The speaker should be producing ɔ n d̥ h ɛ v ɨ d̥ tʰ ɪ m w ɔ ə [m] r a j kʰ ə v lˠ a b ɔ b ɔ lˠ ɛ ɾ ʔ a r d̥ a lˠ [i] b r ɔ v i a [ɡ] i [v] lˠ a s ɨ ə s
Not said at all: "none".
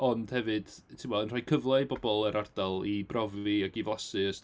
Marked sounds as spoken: n, i, ɡ, v

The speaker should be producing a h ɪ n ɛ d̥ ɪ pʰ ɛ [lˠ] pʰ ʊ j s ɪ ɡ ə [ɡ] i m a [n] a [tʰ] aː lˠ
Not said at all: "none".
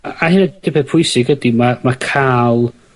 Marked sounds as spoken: none, d, m, kʰ

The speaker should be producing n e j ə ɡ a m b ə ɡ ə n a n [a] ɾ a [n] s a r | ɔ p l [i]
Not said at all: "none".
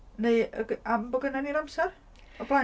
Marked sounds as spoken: i, m, a

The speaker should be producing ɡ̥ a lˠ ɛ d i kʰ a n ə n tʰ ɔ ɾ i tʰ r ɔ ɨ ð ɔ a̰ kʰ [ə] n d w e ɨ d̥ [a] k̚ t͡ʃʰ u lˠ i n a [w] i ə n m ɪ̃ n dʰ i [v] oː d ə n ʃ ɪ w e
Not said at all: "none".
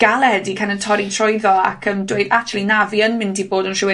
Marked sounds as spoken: ə, a, v, b

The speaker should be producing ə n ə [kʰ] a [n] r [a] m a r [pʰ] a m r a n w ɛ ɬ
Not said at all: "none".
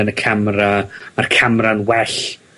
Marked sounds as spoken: kʰ, m, a, kʰ

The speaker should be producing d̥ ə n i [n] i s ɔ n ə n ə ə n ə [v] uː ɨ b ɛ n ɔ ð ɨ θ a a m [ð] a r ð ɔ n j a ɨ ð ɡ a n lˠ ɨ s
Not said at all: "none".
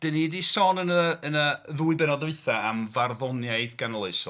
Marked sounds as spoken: d, ð, v

